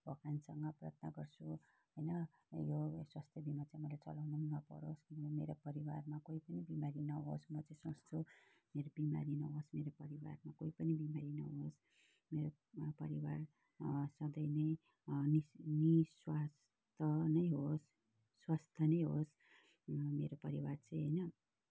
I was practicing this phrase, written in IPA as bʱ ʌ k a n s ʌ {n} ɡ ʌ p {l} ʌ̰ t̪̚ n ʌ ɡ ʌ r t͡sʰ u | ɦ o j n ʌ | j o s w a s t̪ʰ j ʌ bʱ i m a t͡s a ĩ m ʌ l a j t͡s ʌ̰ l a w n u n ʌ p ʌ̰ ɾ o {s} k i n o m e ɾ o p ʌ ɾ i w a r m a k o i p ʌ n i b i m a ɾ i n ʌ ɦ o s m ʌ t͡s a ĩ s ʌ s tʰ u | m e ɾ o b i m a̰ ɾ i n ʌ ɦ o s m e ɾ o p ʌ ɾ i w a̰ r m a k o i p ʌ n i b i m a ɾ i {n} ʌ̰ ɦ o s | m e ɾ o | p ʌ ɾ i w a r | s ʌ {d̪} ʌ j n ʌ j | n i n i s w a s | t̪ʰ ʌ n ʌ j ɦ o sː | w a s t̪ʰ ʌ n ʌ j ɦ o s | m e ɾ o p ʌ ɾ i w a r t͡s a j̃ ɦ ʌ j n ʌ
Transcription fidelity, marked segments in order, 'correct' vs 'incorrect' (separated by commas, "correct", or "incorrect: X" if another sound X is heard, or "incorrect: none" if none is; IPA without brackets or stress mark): incorrect: ŋ, incorrect: r, correct, correct, correct